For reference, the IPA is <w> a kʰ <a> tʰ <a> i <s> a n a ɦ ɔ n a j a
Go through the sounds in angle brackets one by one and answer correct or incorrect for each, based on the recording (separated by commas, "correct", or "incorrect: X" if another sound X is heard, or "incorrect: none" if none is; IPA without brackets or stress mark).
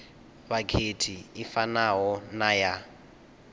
incorrect: β, incorrect: e, incorrect: i, incorrect: f